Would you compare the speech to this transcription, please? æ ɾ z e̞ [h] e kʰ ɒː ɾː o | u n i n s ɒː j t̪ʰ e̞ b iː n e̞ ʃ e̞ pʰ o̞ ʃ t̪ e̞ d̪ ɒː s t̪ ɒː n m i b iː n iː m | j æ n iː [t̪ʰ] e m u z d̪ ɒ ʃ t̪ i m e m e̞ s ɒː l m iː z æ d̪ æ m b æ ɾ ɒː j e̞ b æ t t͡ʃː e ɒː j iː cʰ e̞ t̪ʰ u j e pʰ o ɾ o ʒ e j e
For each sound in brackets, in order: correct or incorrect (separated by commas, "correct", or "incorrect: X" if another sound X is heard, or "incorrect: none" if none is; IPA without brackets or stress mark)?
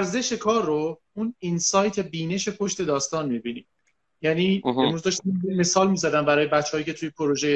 incorrect: ʃ, incorrect: none